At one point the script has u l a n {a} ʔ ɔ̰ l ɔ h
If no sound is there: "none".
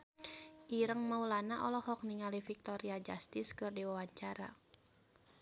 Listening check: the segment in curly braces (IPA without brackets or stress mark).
a